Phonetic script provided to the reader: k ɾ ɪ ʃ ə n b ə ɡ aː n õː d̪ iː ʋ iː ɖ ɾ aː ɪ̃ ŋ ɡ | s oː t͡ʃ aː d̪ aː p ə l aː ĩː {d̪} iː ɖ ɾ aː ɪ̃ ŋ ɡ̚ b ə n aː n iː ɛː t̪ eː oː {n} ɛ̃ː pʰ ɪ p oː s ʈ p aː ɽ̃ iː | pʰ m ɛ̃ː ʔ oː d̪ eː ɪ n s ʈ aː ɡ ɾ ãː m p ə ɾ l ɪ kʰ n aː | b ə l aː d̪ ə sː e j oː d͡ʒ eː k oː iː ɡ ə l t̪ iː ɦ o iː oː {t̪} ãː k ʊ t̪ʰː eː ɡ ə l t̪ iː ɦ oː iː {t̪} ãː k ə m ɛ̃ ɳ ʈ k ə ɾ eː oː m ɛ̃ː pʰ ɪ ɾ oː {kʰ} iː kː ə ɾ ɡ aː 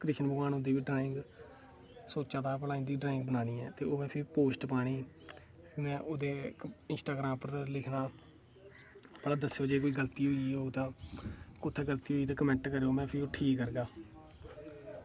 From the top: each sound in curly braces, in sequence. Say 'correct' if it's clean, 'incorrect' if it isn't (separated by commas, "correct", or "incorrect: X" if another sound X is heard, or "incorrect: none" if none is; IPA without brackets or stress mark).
correct, incorrect: m, correct, correct, incorrect: ʈʰ